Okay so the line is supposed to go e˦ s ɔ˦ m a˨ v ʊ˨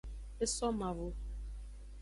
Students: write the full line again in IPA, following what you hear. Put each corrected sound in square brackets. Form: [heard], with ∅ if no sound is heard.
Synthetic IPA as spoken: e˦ s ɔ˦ m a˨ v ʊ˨